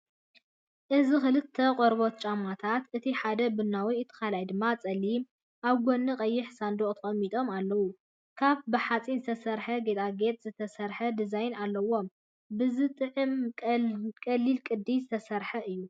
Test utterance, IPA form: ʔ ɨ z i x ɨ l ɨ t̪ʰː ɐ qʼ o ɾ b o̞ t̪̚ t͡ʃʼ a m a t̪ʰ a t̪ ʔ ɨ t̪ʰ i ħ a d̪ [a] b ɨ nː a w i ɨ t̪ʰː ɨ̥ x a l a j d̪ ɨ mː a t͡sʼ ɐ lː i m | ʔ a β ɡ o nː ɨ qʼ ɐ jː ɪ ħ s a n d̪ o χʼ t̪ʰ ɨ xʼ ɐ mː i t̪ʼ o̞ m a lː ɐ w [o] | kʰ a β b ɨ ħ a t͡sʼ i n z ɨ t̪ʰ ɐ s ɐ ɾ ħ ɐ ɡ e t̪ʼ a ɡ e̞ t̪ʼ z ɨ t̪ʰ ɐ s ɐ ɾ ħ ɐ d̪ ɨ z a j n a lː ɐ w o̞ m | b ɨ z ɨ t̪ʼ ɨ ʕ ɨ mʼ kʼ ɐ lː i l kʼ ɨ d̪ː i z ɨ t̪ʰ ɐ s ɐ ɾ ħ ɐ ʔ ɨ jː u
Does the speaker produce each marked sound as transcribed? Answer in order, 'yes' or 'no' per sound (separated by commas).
no, no